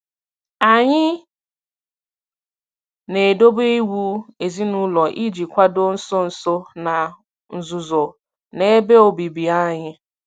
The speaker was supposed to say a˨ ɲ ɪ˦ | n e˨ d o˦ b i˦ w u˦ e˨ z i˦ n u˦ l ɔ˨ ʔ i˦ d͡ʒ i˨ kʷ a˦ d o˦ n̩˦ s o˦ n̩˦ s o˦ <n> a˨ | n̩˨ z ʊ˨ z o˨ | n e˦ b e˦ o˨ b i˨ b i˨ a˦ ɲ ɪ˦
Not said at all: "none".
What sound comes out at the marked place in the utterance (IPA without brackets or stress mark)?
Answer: n